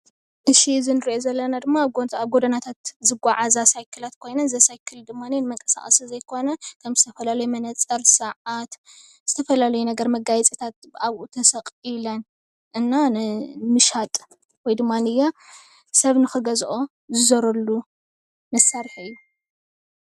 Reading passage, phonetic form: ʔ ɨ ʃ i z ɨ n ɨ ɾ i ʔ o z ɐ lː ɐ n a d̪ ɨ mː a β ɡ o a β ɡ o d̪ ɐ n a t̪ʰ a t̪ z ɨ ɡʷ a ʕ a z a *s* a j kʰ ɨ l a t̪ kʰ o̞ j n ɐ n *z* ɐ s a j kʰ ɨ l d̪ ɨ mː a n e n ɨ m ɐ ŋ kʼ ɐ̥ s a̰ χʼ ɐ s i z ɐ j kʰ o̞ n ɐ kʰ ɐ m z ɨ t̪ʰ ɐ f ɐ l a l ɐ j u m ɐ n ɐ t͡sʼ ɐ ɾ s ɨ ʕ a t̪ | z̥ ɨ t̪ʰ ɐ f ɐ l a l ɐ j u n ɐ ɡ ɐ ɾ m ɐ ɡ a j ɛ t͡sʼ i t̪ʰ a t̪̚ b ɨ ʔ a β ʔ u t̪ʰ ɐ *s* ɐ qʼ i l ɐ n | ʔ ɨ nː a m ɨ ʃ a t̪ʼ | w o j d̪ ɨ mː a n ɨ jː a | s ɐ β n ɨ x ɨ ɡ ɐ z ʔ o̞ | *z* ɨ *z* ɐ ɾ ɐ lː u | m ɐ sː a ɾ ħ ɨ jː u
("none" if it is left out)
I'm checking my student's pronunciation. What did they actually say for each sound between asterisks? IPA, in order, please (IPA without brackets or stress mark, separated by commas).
s, z, s, z, z